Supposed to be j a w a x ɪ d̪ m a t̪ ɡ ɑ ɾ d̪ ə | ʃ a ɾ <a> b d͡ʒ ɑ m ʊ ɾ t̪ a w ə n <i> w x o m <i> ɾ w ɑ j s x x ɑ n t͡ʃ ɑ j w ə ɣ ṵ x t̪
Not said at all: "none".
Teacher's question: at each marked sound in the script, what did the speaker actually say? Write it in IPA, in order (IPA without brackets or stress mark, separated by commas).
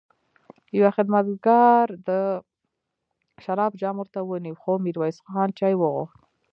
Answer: ɑ, i, i